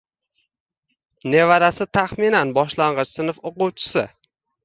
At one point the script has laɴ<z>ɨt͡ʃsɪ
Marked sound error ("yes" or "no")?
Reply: yes